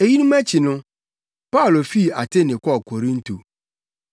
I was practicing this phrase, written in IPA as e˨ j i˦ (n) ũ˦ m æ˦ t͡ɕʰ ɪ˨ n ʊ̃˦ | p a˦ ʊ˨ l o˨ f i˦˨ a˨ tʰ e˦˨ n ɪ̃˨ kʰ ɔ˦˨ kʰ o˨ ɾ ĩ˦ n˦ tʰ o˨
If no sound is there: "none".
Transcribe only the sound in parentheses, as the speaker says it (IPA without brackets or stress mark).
n